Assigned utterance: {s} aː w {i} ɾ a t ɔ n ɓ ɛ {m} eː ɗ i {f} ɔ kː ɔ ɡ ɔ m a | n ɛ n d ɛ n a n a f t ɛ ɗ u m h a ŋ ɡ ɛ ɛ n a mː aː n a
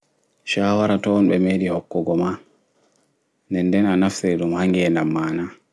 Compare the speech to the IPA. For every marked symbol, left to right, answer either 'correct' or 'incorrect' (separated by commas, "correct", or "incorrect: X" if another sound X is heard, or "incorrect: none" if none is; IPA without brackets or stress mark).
incorrect: ʃ, incorrect: a, correct, incorrect: h